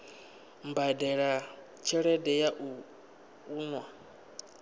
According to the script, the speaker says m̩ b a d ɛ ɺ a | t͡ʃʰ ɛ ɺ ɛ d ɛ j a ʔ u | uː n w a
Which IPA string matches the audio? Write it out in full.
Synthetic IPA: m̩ b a d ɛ ɺ a | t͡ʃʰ ɛ ɺ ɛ d ɛ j a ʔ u | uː n w a